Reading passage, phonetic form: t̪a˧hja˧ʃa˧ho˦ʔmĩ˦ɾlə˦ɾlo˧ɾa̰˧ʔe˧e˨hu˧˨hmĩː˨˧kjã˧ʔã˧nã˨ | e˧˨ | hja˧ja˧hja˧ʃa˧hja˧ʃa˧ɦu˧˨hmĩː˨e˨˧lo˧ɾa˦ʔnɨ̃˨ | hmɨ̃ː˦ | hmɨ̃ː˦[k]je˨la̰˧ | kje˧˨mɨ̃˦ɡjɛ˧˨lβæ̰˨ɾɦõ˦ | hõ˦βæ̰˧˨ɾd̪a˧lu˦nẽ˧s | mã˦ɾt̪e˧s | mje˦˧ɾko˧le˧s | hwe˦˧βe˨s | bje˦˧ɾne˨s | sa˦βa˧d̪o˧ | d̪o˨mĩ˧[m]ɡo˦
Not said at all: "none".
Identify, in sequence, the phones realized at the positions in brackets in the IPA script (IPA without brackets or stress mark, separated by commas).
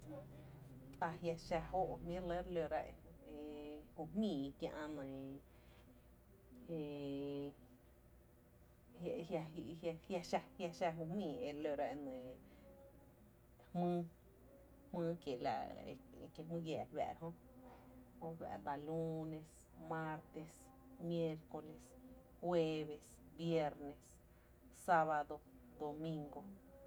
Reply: k, ŋ